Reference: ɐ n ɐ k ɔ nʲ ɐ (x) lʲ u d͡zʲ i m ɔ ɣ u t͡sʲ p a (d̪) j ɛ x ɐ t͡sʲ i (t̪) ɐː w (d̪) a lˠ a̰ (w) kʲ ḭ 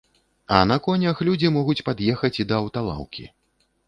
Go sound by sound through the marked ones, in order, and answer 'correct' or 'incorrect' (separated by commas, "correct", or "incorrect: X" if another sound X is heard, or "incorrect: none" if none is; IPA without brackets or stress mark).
correct, correct, incorrect: d̪, incorrect: t̪, correct